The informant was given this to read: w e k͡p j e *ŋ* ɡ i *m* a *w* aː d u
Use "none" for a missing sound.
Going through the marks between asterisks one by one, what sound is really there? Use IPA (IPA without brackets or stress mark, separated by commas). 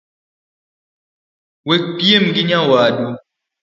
m, ɲ, w